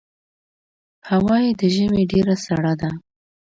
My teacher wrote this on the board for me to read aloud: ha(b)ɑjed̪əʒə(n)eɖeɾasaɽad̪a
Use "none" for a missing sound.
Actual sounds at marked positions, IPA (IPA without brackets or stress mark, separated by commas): w, m